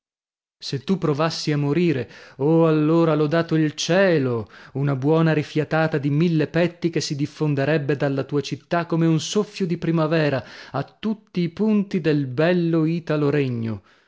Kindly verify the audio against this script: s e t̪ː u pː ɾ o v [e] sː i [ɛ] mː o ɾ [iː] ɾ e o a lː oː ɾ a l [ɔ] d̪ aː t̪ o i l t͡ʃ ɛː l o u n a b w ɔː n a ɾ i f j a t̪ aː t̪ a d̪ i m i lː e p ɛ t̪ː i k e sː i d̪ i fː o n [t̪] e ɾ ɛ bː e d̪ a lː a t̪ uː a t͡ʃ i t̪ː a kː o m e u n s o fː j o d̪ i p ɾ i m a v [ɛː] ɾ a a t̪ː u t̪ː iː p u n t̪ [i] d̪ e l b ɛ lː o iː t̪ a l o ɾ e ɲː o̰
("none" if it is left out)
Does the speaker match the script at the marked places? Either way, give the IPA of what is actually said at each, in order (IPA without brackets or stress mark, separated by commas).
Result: a, a, iː, ɔ, d̪, ɛː, i